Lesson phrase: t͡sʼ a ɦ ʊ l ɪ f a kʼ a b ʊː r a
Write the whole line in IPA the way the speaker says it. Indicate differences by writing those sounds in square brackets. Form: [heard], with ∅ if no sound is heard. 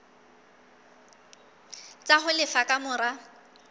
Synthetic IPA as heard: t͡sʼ a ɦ ʊ l ɪ f a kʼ a [m] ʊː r a

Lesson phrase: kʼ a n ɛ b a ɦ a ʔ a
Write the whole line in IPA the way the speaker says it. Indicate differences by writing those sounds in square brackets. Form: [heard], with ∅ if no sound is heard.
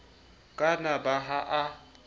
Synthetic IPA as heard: kʼ a n [a] b a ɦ a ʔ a

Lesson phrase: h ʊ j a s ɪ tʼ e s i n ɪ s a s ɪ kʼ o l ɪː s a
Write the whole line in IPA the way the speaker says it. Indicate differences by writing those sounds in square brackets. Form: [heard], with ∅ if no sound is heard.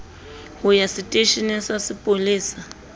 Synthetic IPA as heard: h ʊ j a s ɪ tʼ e [ʃ] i n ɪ s a s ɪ [pʼ] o l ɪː s a

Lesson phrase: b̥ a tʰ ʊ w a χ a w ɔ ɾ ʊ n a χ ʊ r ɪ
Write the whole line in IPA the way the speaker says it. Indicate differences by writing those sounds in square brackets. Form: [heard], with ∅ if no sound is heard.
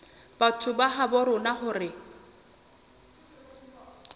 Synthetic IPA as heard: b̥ a tʰ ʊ [b] a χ a [b] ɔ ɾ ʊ n a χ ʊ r ɪ

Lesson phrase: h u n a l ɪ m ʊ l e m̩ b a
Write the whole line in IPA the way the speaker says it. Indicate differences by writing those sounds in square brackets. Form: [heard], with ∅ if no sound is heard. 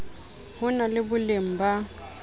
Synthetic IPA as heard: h [ʊ] n a l ɪ [b] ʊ l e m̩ b a

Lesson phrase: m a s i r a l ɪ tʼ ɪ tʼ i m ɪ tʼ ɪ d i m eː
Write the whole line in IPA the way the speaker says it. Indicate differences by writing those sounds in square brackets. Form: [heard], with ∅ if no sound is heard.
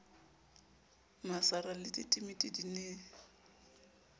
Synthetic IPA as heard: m a s [a] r a l ɪ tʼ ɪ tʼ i m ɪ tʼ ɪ d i [n] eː

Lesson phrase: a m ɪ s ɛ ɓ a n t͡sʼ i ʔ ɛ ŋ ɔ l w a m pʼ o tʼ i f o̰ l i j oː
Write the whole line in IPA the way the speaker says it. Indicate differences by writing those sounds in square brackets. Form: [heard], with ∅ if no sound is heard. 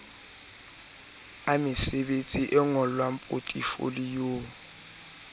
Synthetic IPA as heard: a m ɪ s ɛ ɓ [e] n t͡sʼ i ʔ ɛ ŋ ɔ l w a m pʼ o tʼ i f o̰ l i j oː

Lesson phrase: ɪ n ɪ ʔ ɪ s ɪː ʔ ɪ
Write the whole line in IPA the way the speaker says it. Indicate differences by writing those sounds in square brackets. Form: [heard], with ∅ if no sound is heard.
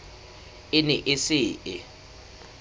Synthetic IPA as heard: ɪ n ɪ ʔ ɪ s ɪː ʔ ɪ

